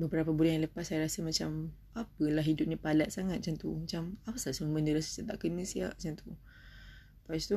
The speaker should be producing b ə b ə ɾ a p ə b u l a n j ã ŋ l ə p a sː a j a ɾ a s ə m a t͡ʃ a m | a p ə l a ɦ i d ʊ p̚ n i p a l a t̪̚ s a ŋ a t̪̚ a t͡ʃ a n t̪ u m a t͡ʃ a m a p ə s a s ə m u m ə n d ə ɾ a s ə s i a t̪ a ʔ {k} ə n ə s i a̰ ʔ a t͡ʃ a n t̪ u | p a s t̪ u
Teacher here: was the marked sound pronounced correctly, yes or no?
yes